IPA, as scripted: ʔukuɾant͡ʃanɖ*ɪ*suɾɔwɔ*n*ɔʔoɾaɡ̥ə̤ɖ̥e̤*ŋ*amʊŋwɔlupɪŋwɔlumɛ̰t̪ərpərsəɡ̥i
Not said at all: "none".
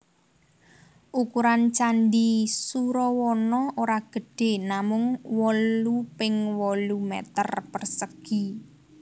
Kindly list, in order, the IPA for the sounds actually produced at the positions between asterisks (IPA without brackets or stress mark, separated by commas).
i, n, n